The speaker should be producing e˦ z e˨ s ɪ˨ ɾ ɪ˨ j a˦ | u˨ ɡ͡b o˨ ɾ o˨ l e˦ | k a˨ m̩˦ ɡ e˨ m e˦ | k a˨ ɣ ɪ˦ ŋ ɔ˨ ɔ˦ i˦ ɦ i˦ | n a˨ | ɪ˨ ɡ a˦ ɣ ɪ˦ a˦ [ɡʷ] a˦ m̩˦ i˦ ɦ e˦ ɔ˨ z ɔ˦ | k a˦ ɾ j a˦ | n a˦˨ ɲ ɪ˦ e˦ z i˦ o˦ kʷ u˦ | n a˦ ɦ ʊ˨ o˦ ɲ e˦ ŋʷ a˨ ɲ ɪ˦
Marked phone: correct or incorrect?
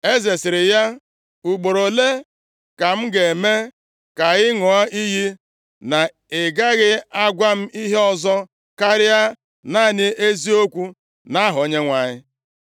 correct